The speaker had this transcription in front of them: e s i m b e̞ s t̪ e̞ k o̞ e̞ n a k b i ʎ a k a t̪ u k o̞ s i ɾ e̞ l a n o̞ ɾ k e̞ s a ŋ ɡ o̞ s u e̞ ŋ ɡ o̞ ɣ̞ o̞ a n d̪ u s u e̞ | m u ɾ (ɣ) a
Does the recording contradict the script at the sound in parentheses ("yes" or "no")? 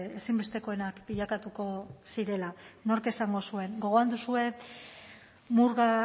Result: no